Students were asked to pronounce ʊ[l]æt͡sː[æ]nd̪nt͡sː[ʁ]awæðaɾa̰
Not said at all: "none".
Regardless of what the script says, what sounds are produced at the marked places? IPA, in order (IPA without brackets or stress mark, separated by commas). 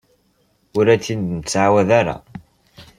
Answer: ɾ, i, ʕ